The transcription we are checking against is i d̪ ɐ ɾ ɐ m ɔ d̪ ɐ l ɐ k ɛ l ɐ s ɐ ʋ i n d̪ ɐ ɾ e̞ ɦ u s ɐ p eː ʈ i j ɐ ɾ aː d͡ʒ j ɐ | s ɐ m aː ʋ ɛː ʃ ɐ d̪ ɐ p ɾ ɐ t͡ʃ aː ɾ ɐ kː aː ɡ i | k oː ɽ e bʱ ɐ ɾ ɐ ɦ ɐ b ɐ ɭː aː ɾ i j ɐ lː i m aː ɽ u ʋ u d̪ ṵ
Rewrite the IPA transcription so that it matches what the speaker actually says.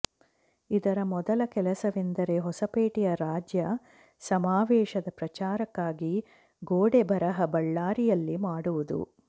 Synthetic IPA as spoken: i d̪ ɐ ɾ ɐ m ɔ d̪ ɐ l ɐ k ɛ l ɐ s ɐ ʋ i n d̪ ɐ ɾ e̞ ɦ ɔ s ɐ p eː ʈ i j ɐ ɾ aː d͡ʒ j ɐ | s ɐ m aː ʋ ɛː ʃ ɐ d̪ ɐ p ɾ ɐ t͡ʃ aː ɾ ɐ kː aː ɡ i | ɡ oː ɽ e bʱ ɐ ɾ ɐ ɦ ɐ b ɐ ɭː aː ɾ i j ɐ lː i m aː ɽ u ʋ u d̪ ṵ